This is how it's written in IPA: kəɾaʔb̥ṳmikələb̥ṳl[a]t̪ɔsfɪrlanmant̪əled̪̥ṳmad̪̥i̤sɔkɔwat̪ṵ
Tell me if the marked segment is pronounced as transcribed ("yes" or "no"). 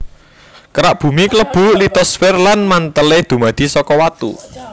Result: no